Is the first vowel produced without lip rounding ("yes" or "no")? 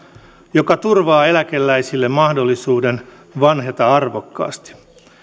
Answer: no